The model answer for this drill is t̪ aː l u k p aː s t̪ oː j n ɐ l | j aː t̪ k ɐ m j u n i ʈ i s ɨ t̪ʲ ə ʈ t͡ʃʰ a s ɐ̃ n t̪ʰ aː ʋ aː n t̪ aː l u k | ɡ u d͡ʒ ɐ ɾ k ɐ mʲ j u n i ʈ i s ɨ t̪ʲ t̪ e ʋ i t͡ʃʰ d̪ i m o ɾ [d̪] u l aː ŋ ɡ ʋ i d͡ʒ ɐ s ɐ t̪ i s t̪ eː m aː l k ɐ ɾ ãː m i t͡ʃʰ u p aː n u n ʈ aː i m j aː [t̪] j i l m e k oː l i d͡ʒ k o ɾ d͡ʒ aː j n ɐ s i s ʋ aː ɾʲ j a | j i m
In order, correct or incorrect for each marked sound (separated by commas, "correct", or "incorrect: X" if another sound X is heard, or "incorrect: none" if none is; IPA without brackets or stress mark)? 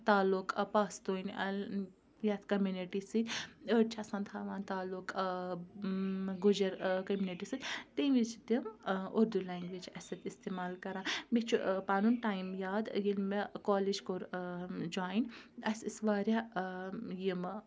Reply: correct, incorrect: d̪